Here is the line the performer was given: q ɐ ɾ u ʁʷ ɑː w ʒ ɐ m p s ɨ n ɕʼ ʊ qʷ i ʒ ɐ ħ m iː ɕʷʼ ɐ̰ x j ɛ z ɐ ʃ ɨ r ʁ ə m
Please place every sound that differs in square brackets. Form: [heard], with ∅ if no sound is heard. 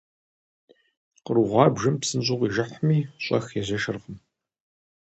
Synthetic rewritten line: q [ə] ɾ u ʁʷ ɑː [b] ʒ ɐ m p s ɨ n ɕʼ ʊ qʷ i ʒ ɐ ħ m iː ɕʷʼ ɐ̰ x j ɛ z ɐ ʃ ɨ r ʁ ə m